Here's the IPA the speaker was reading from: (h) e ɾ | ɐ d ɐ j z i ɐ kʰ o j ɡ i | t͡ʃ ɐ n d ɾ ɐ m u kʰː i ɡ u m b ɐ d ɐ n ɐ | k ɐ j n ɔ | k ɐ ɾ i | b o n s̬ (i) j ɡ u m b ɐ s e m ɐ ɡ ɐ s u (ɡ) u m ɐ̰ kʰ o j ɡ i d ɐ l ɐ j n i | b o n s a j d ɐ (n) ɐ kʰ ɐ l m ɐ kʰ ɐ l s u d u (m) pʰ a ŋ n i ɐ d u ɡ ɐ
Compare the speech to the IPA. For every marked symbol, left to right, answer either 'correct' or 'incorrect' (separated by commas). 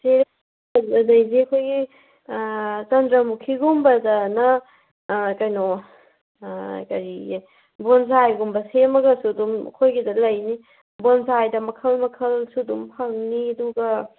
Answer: incorrect, incorrect, incorrect, incorrect, correct